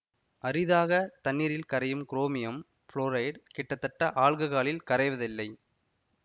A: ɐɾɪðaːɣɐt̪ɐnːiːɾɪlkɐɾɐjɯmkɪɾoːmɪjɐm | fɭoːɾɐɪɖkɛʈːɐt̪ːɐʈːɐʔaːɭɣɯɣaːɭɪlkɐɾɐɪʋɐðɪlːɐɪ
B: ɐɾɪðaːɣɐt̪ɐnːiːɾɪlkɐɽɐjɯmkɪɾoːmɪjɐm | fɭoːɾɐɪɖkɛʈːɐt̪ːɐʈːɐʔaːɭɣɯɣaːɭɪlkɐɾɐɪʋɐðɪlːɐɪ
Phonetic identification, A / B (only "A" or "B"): A